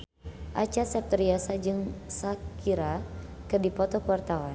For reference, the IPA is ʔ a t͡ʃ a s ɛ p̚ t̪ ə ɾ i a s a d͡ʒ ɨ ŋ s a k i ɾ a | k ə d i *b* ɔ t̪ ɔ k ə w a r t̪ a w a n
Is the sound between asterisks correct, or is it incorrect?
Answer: incorrect